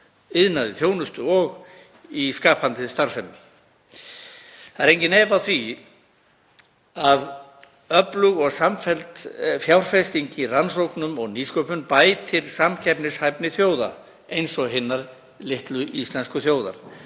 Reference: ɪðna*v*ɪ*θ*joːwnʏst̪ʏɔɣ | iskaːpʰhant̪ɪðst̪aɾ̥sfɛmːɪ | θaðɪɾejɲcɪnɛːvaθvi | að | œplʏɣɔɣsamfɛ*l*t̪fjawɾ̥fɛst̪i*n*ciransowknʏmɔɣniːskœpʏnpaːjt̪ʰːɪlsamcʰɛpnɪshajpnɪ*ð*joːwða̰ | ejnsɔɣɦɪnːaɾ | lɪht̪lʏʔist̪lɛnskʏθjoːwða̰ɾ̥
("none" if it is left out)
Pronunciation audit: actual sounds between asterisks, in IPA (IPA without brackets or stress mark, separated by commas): ð, θ, l, ɲ, θ